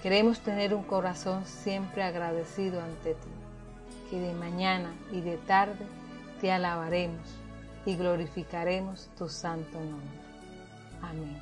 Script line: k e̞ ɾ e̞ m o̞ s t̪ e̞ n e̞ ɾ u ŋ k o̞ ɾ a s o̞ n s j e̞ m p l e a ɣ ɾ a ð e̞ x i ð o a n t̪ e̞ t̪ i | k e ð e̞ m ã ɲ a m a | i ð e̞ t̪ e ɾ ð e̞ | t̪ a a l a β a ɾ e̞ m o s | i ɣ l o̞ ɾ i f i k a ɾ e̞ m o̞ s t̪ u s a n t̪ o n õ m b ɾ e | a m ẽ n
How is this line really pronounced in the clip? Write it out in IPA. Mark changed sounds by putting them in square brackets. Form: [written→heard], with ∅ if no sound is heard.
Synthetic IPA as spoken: k e̞ ɾ e̞ m o̞ s t̪ e̞ n e̞ ɾ u ŋ k o̞ ɾ a s o̞ n s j e̞ m p [l→ɾ] e a ɣ ɾ a ð e̞ [x→s] i ð o a n t̪ e̞ t̪ i | k e ð e̞ m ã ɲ a [m→n] a | i ð e̞ t̪ [e→a] ɾ ð e̞ | t̪ [a→e] a l a β a ɾ e̞ m o s | i ɣ l o̞ ɾ i f i k a ɾ e̞ m o̞ s t̪ u s a n t̪ o n õ m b ɾ e | a m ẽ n